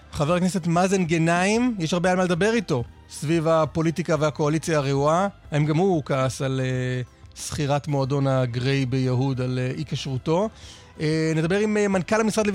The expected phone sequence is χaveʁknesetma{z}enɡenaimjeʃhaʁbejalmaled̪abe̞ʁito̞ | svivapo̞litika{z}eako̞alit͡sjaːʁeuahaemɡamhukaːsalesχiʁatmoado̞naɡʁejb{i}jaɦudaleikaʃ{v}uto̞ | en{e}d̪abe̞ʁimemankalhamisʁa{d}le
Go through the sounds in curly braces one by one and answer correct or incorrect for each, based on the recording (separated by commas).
correct, incorrect, incorrect, incorrect, correct, correct